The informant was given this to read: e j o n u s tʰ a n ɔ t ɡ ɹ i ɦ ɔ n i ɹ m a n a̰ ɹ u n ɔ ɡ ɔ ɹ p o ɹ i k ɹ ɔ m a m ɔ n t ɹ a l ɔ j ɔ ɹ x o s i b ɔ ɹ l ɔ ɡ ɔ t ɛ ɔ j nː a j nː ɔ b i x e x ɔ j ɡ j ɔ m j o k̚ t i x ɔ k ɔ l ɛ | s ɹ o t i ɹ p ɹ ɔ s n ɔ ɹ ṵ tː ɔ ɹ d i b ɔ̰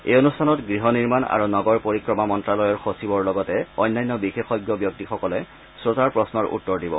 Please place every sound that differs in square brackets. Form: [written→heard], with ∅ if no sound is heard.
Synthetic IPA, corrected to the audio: e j o n u s tʰ a n ɔ t ɡ ɹ i ɦ ɔ n i ɹ m a n a̰ ɹ u n ɔ ɡ ɔ ɹ p o ɹ i k ɹ ɔ m a m ɔ n t ɹ a l ɔ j ɔ ɹ x o s i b ɔ ɹ l ɔ ɡ ɔ t ɛ ɔ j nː a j nː ɔ b i x e x ɔ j ɡ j ɔ [m→b] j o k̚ t i x ɔ k ɔ l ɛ | s ɹ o t [i→a] ɹ p ɹ ɔ s n ɔ ɹ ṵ tː ɔ ɹ d i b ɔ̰

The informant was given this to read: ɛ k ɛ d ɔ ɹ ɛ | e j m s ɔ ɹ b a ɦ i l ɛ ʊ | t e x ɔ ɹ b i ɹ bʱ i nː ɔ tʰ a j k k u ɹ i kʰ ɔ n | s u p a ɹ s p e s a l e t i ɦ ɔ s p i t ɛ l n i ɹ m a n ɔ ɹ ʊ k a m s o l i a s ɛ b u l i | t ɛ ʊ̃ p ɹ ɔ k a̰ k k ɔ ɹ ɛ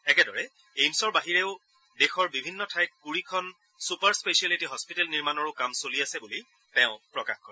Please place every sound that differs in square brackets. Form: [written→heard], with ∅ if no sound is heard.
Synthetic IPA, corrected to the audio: ɛ k ɛ d ɔ ɹ ɛ | e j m s ɔ ɹ b a ɦ i [l→ɹ] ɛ ʊ | [t→d] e x ɔ ɹ b i [ɹ→∅] bʱ i nː ɔ tʰ a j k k u ɹ i kʰ ɔ n | s u p a ɹ s p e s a l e t i ɦ ɔ s p i t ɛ l n i ɹ m a n ɔ ɹ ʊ k a m s o l i a s ɛ b u l i | t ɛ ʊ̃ p ɹ ɔ k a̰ [k→x] k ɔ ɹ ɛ

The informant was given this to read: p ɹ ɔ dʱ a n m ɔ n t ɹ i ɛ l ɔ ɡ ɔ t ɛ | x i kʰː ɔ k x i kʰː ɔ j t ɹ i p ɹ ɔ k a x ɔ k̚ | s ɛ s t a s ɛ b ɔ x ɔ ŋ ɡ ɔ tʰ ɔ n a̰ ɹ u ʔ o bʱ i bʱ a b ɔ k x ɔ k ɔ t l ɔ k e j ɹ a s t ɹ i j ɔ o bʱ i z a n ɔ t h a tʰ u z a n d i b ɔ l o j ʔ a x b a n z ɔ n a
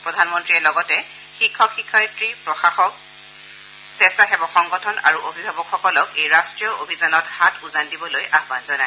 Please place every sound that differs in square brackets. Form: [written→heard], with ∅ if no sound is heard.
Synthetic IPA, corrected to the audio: p ɹ ɔ dʱ a n m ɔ n t ɹ i ɛ l ɔ ɡ ɔ t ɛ | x i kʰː ɔ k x i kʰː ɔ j t ɹ i p ɹ ɔ [k→x] a x ɔ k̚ | s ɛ s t a [s→x] ɛ b ɔ x ɔ ŋ ɡ ɔ tʰ ɔ n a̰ ɹ u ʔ o bʱ i bʱ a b ɔ k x ɔ k ɔ [t→∅] l ɔ k e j ɹ a s t ɹ i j ɔ o bʱ i z a n ɔ t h a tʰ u z a n d i b ɔ l o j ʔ a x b a n z ɔ n a

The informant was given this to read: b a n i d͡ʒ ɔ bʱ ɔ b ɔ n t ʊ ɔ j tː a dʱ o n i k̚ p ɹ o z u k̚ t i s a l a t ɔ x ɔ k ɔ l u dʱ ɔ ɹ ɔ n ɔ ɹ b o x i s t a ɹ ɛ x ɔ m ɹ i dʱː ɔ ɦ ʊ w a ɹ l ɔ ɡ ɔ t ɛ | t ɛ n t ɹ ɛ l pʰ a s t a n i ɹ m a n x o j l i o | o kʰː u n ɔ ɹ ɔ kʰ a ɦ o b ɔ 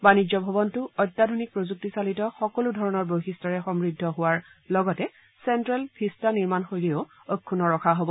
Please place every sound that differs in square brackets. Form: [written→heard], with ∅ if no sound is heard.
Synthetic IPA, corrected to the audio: b a n i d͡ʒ ɔ bʱ ɔ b ɔ n t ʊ ɔ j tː a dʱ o n i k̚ p ɹ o z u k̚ t i s a l [a→i] t ɔ x ɔ k ɔ l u dʱ ɔ ɹ ɔ n ɔ ɹ b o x i s t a ɹ ɛ x ɔ m ɹ i dʱː ɔ ɦ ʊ w a ɹ l ɔ ɡ ɔ t ɛ | [t→s] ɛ n t ɹ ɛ l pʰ [a→i] s t a n i ɹ m a n x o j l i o | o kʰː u n ɔ ɹ ɔ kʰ a ɦ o b ɔ

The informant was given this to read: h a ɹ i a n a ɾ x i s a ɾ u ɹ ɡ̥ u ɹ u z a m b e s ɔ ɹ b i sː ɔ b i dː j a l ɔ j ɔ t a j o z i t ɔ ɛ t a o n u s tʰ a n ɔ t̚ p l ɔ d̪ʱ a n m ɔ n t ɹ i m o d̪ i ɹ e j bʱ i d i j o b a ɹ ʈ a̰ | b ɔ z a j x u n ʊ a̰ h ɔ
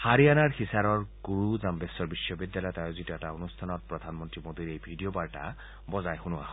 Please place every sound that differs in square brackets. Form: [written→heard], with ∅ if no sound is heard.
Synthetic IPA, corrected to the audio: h a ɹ i a n a [ɾ→ɹ] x i s a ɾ [u→ɔ] ɹ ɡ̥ u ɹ u z a m b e s ɔ ɹ b i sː ɔ b i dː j a l ɔ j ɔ t a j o z i t ɔ ɛ t a o n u s tʰ a n ɔ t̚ p [l→ɹ] ɔ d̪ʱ a n m ɔ n t ɹ i m o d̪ i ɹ e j bʱ i d i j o b a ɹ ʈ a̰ | b ɔ z a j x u n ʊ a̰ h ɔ

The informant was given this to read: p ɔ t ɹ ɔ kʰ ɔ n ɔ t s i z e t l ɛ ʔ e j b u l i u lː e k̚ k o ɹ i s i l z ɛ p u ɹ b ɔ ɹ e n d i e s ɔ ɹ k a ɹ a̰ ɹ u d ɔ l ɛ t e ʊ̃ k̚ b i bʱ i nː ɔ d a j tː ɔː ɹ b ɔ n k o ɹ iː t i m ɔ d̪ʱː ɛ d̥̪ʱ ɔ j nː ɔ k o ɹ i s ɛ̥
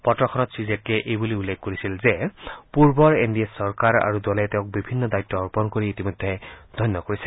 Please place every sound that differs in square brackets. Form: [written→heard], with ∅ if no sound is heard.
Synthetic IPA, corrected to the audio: p ɔ t ɹ ɔ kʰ ɔ n ɔ t s i z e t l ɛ ʔ e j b u l i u lː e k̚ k o ɹ i s i l z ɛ p u ɹ b ɔ ɹ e n d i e s ɔ ɹ k a ɹ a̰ ɹ u d ɔ l ɛ t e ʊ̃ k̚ b i bʱ i nː ɔ d a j tː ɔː ɹ [b→p] ɔ n k o ɹ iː t i m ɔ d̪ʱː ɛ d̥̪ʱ ɔ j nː ɔ k o ɹ i s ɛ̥

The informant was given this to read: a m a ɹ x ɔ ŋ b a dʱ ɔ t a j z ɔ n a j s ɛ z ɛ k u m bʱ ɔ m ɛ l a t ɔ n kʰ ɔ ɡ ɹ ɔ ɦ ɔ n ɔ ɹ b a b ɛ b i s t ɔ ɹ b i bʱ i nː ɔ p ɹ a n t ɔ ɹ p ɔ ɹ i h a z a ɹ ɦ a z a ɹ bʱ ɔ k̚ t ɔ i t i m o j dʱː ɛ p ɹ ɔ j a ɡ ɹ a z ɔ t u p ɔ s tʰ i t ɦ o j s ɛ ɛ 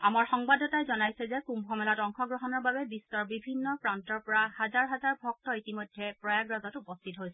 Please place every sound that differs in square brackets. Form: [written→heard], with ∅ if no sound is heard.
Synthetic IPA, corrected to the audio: a m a ɹ x ɔ ŋ b a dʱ ɔ t a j z ɔ n a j s ɛ z ɛ k u m bʱ ɔ m ɛ l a t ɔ [n→ŋ] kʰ ɔ ɡ ɹ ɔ ɦ ɔ n ɔ ɹ b a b ɛ b i s t ɔ ɹ b i bʱ i nː ɔ p ɹ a n t ɔ ɹ p ɔ ɹ [i→a] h a z a ɹ ɦ a z a ɹ bʱ ɔ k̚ t ɔ i t i m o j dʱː ɛ p ɹ ɔ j a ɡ ɹ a z ɔ t u p ɔ s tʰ i t ɦ o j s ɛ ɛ

